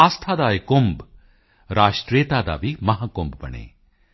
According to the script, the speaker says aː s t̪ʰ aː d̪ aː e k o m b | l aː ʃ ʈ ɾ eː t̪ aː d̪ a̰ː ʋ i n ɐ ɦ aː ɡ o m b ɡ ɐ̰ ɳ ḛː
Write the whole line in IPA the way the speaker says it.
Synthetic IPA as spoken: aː s t̪ʰ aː d̪ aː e k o m b | ɾ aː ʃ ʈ ɾ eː t̪ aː d̪ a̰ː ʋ i m ɐ ɦ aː k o m b b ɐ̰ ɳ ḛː